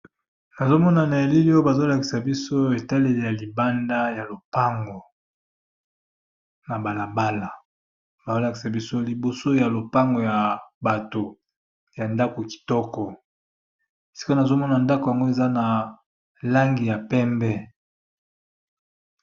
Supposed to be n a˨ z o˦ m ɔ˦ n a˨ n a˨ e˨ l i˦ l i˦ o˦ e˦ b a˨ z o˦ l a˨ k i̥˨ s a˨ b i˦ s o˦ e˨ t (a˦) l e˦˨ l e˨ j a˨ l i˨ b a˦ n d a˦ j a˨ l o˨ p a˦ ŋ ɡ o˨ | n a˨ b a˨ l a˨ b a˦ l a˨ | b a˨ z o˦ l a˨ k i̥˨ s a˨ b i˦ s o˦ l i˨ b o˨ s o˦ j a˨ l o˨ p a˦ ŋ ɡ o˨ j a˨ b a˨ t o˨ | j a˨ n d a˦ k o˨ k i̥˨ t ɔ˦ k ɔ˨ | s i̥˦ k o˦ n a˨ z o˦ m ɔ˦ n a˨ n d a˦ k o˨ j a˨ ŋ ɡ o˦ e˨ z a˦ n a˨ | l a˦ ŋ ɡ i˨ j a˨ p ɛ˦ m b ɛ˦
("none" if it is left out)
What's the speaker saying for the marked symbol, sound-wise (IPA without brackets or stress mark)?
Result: a˦